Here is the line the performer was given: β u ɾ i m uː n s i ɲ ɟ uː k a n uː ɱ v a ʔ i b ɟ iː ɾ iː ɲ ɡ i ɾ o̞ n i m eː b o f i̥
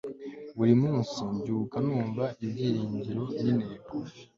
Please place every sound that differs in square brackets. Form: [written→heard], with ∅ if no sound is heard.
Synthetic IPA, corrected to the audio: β u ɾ i m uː n s i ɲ ɟ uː k a n uː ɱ v a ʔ i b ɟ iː ɾ iː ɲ [ɡ→ɟ] i ɾ o̞ n i [m→n] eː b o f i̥